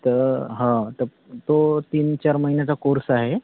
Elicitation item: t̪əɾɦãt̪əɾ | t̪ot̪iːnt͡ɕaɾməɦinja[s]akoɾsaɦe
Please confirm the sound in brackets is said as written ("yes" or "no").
no